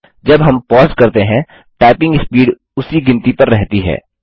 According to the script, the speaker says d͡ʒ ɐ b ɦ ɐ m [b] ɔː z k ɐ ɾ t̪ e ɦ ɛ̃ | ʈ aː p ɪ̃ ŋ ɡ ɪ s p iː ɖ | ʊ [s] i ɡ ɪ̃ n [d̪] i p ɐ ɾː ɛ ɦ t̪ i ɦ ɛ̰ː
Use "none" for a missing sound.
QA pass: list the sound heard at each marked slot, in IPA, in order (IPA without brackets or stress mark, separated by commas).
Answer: p, s, t̪